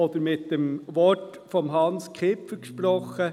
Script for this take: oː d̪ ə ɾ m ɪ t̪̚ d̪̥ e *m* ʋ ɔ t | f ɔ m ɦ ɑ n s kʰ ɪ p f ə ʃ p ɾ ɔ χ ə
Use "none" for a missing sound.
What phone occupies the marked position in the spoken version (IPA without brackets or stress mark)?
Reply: m